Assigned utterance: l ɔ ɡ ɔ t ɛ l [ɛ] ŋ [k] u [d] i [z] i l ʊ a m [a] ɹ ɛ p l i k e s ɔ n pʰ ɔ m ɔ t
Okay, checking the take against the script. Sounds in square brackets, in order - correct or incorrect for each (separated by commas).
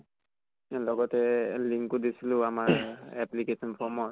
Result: incorrect, correct, correct, incorrect, correct